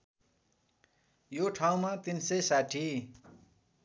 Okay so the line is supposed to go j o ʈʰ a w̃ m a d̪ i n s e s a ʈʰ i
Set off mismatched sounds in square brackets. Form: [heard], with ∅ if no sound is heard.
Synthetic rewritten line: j o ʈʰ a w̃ m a [t̪] i n s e s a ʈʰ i